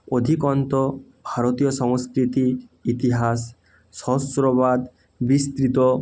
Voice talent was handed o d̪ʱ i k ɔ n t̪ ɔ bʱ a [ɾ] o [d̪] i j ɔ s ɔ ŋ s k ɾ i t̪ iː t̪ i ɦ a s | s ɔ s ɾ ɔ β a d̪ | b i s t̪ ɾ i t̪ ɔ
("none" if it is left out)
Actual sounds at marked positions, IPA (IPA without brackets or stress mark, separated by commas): ɾ, t̪